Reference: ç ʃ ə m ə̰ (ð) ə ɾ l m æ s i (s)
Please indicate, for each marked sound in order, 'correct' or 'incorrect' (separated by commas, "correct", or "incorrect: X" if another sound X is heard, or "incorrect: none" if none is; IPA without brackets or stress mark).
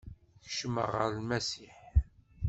incorrect: ʁ, incorrect: ħ